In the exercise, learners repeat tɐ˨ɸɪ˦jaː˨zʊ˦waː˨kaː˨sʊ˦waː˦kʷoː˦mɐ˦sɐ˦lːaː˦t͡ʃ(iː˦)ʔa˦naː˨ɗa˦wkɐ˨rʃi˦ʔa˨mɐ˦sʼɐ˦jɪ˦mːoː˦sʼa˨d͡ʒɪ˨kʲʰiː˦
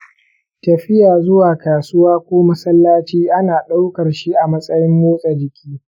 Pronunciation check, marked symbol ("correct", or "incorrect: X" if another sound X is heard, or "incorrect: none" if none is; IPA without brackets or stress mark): correct